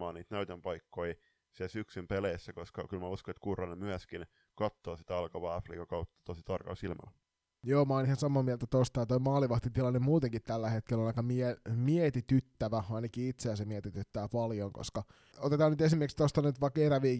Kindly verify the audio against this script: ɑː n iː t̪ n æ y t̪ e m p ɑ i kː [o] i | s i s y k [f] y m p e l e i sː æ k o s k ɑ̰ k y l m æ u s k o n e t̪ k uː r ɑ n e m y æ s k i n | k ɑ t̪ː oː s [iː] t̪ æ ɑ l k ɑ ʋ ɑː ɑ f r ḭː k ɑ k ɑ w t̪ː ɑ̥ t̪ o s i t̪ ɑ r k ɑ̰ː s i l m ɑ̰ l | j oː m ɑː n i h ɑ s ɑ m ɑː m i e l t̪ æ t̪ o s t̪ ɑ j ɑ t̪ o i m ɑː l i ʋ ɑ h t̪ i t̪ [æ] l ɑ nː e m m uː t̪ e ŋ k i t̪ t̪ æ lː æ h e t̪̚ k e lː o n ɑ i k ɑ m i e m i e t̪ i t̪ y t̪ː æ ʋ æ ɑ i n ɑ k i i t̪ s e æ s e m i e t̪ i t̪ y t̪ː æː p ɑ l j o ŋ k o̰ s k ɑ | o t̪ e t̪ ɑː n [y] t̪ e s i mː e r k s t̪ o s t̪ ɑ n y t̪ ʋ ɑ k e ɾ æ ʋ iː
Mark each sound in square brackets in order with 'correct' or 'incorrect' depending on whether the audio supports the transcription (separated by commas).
correct, incorrect, incorrect, incorrect, correct